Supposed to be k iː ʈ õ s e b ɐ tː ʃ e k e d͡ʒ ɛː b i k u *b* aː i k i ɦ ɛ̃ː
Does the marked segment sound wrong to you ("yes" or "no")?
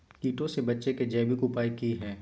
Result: yes